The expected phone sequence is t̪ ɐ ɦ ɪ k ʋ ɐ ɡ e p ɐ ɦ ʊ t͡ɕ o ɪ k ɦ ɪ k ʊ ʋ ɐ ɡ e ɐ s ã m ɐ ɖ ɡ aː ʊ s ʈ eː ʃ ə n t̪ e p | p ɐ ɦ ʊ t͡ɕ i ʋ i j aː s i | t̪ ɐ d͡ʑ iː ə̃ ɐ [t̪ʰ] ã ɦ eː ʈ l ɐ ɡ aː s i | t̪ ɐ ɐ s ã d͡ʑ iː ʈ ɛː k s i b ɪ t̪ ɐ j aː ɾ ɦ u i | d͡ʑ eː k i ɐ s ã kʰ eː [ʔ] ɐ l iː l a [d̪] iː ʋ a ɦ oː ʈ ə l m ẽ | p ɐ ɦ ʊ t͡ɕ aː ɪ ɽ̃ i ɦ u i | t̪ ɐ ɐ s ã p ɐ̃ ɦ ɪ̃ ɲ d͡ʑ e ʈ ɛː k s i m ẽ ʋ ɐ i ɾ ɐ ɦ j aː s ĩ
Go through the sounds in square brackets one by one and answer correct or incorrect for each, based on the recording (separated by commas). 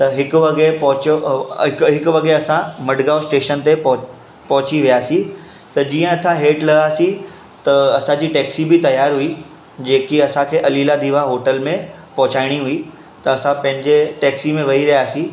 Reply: correct, correct, correct